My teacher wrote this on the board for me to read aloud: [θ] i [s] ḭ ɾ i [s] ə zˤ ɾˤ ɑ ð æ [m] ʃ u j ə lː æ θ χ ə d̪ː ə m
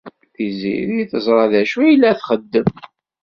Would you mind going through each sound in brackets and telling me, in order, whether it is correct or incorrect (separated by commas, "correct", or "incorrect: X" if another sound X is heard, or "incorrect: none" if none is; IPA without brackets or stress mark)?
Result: correct, incorrect: z, incorrect: θ, incorrect: none